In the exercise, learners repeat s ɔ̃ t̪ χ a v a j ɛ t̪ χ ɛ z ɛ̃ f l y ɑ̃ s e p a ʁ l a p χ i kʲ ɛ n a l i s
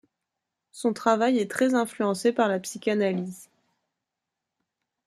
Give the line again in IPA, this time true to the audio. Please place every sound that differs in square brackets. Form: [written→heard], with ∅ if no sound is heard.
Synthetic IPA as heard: s ɔ̃ t̪ χ a v a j ɛ t̪ χ ɛ z ɛ̃ f l y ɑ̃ s e p a ʁ l a p [χ→s] i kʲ [ɛ→a] n a l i [s→z]